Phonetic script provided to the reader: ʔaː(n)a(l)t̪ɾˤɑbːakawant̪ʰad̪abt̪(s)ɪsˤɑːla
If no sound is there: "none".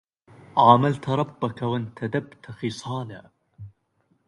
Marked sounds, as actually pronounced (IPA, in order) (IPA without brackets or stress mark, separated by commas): m, l, x